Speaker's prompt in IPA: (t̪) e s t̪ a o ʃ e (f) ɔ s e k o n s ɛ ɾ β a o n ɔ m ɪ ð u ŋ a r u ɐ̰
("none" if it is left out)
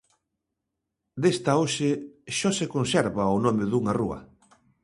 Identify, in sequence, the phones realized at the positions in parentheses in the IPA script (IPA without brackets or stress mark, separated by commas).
d̪, ʃ